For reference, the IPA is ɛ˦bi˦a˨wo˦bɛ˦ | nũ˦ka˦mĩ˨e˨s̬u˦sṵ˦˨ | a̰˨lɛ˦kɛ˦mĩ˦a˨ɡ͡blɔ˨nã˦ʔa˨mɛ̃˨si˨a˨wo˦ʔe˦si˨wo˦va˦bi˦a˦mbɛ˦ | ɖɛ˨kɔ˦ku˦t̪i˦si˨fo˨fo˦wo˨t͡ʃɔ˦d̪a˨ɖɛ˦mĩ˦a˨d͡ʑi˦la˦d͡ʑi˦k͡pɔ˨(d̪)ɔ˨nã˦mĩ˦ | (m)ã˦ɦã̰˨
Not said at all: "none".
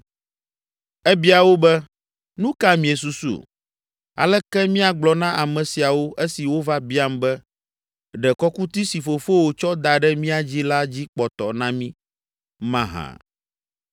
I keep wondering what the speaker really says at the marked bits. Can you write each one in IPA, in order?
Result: t̪, m

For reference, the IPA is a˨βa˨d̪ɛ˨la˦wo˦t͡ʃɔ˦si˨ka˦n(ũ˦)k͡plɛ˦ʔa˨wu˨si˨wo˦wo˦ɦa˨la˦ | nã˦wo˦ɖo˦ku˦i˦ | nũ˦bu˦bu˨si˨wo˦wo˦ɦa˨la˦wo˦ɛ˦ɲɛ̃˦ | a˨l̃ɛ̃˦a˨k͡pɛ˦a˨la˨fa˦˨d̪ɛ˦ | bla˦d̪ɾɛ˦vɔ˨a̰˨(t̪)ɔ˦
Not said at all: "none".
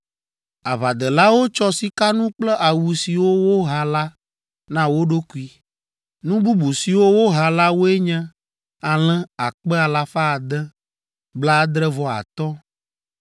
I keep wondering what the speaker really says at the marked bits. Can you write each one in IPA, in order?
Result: ũ˦, t̪

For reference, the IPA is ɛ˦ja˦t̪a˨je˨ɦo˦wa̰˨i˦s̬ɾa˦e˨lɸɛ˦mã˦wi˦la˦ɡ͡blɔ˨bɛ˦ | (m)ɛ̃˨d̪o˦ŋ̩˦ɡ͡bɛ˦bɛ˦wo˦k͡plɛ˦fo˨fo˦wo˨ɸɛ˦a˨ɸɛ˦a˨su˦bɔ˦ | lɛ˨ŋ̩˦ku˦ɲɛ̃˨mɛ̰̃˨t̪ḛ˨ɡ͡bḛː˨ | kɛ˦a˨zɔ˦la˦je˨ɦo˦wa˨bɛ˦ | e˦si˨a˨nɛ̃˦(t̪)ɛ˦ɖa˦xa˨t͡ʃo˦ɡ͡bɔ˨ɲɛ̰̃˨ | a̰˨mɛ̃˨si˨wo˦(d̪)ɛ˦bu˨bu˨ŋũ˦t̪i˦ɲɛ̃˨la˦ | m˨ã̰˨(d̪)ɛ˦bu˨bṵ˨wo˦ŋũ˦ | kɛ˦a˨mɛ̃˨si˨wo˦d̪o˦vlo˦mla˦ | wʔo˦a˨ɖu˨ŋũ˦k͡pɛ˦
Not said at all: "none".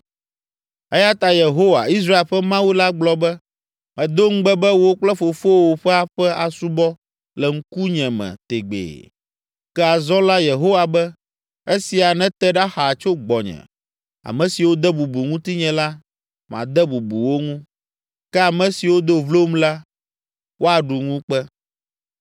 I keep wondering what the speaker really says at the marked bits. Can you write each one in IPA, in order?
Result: m, t̪, d̪, d̪

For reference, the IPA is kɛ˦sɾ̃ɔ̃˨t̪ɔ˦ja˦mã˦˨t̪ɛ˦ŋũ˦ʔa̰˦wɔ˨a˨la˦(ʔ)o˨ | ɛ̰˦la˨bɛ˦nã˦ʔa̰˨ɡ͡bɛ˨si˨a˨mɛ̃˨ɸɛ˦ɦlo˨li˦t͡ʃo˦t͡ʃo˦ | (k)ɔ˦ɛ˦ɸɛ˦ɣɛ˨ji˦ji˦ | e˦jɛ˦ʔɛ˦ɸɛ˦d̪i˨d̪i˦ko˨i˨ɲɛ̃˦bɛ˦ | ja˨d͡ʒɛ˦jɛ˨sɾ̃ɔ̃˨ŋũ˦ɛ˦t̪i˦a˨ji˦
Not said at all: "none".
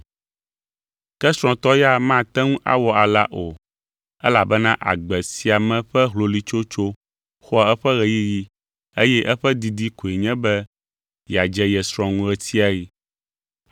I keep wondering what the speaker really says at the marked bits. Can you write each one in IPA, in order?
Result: ʔ, x

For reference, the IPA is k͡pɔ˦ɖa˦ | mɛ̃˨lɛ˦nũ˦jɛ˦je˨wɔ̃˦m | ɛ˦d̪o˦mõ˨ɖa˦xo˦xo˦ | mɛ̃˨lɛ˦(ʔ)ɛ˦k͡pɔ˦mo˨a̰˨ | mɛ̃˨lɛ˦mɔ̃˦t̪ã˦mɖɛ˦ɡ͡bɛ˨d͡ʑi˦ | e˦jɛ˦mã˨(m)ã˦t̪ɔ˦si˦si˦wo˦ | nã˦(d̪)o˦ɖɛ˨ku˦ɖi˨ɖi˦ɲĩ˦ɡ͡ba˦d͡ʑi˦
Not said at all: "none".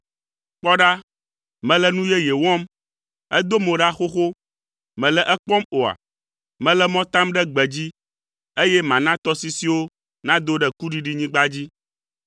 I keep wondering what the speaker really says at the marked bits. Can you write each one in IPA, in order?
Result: ʔ, n, d̪

